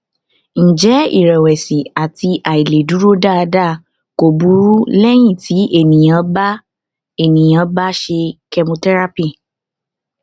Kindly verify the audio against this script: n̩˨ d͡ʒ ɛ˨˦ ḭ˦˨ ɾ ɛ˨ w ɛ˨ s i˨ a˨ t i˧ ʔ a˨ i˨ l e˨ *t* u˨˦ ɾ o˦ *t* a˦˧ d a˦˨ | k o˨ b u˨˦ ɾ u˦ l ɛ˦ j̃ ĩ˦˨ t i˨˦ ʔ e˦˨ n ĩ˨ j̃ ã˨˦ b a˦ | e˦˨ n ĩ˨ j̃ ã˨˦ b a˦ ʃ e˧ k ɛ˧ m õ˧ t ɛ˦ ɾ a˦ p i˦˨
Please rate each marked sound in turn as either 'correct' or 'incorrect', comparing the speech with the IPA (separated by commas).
incorrect, incorrect